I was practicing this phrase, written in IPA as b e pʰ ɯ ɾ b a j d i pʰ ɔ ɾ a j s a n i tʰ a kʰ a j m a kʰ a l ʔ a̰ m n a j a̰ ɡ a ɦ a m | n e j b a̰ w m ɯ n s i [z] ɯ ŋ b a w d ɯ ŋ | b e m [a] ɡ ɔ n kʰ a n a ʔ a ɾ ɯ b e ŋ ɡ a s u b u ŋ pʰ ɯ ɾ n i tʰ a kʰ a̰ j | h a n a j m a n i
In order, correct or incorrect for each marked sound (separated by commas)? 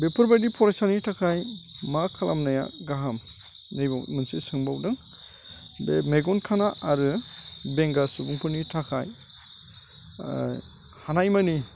incorrect, incorrect